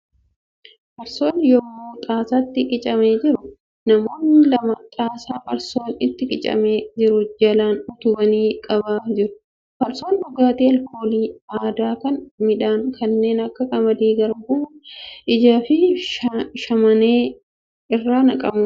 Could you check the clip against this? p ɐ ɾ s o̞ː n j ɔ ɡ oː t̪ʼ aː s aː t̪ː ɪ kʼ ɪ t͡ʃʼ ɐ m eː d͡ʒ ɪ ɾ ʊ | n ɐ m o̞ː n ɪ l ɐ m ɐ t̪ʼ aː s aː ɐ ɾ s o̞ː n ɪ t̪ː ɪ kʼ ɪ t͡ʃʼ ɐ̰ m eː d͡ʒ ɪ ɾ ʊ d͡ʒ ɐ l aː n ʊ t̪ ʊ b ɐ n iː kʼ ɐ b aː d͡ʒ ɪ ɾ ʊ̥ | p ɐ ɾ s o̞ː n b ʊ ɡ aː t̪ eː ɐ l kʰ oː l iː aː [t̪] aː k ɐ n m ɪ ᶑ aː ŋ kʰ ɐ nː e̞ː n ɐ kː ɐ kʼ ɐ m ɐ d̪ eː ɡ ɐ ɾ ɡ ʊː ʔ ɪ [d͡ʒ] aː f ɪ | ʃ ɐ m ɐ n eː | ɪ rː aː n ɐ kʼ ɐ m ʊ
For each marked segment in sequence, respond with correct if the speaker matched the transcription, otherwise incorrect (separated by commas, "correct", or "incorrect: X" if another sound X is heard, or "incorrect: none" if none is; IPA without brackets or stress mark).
incorrect: d̪, correct